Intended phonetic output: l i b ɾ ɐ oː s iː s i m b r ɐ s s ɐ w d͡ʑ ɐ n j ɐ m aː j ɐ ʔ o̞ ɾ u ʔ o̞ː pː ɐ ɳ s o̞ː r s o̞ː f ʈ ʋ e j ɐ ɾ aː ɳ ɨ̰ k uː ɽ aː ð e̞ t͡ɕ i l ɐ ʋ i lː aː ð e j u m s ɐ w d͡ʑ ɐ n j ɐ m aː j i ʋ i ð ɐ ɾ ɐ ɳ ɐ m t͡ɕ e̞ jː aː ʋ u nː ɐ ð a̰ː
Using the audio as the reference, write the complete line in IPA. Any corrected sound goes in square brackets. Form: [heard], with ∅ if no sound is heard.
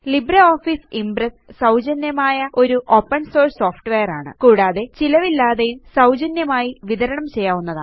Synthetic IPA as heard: l i b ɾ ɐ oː [f] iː s i m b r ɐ s s ɐ w d͡ʑ ɐ n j ɐ m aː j ɐ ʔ o̞ ɾ u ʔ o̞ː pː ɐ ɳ s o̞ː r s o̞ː f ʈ ʋ e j ɐ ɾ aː ɳ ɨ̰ k uː ɽ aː ð e̞ t͡ɕ i l ɐ ʋ i lː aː ð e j u m s ɐ w d͡ʑ ɐ n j ɐ m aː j i ʋ i ð ɐ ɾ ɐ ɳ ɐ m t͡ɕ e̞ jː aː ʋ u nː ɐ ð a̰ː